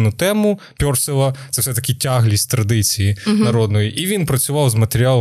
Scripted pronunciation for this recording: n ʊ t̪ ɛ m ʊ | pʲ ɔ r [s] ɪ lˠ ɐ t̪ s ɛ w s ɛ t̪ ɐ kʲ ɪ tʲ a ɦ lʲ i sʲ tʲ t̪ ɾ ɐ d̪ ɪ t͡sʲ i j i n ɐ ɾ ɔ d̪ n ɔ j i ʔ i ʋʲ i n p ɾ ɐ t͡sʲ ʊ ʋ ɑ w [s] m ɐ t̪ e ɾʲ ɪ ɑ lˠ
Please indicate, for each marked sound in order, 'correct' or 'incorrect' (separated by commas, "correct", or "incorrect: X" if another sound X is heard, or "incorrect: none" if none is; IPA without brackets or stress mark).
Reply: correct, incorrect: z